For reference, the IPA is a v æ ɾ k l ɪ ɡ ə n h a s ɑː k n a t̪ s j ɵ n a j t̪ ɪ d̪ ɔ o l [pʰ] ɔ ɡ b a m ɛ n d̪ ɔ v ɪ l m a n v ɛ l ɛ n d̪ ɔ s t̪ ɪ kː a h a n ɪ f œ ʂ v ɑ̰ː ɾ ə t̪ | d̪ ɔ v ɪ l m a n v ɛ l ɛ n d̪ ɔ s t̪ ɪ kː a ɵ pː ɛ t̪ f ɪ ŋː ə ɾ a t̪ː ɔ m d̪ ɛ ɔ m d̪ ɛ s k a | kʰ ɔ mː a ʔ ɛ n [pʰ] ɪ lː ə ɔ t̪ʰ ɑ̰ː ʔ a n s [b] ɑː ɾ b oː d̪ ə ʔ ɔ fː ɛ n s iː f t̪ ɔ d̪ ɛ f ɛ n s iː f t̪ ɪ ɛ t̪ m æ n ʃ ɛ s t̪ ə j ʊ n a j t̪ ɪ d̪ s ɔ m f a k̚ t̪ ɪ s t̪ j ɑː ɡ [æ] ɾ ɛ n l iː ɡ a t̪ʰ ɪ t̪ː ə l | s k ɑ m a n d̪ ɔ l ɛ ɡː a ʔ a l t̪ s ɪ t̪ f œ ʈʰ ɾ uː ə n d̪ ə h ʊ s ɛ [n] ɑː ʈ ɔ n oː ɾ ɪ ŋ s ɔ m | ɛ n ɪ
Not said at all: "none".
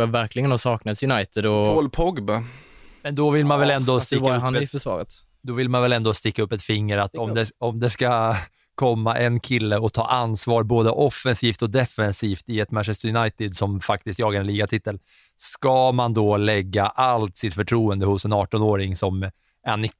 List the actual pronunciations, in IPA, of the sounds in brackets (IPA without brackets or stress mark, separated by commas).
pʰ, kʰ, v, a, n